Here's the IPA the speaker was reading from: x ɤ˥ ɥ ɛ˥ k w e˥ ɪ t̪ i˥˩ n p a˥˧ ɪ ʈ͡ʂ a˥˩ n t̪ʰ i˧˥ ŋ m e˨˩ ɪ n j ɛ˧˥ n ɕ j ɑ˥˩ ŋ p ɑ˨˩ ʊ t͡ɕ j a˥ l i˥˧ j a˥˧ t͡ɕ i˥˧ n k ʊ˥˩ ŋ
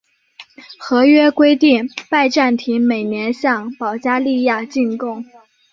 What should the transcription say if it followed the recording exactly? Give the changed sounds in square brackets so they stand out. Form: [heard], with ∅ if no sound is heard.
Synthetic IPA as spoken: x [ɤ˧˥] ɥ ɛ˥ k w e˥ ɪ t̪ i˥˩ [ŋ] p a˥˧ ɪ ʈ͡ʂ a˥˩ n t̪ʰ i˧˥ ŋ m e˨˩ ɪ n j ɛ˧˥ n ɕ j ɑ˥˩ ŋ p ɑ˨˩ ʊ t͡ɕ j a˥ l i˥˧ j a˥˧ t͡ɕ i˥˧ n k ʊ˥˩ ŋ